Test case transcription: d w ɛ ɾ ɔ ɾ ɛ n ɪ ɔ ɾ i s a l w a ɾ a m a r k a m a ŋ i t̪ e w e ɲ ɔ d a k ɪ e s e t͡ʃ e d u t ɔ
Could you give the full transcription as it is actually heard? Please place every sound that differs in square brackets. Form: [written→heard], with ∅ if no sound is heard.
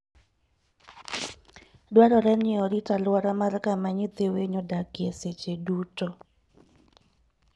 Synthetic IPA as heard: d w [ɛ→a] ɾ ɔ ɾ ɛ n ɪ ɔ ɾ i [s→t] a l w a ɾ a m a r k a m a [ŋ→ɲ] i t̪ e w e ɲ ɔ d a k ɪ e s e t͡ʃ e d u t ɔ